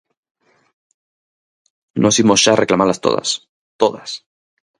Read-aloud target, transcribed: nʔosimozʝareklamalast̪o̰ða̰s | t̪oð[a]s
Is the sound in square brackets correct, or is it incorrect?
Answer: correct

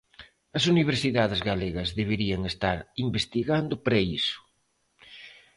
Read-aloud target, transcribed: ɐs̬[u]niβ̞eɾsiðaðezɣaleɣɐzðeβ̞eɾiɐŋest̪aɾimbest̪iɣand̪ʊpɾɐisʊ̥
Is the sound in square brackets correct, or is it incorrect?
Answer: correct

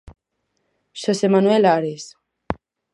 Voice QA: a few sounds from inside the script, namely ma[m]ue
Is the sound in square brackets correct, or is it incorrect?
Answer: incorrect: n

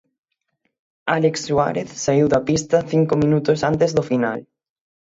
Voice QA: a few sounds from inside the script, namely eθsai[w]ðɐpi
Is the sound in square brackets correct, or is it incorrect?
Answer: correct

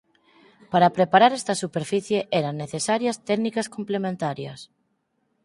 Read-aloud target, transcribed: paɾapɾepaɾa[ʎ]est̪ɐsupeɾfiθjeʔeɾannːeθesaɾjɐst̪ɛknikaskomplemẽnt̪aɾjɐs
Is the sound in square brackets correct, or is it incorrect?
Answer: incorrect: ɾ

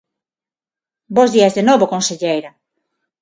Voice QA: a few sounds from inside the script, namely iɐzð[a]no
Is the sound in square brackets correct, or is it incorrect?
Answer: incorrect: e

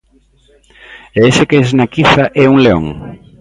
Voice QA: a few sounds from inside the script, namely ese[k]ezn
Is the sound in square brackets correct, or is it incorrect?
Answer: correct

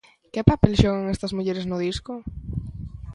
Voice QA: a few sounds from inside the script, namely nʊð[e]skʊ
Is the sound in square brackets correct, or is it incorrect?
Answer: incorrect: i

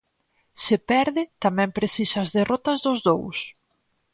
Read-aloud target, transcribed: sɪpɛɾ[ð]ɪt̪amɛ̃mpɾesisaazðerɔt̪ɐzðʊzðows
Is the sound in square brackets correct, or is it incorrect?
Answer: correct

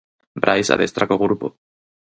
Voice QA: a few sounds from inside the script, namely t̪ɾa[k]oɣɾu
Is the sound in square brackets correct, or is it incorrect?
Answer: correct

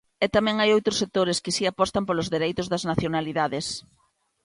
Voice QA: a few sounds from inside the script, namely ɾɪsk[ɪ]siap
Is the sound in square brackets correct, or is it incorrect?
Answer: correct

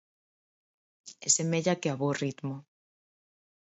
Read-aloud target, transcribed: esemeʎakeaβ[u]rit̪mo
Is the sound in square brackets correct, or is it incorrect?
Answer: incorrect: o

